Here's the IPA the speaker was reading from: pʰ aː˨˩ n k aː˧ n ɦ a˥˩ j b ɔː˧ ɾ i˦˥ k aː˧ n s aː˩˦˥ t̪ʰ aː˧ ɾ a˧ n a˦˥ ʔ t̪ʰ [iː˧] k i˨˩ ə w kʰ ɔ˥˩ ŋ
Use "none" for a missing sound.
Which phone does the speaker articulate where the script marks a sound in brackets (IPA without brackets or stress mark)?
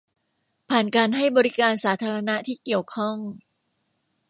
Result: iː˥˩